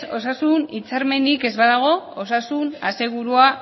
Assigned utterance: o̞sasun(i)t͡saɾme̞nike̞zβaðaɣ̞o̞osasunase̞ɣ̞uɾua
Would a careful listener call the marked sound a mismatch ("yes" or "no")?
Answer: no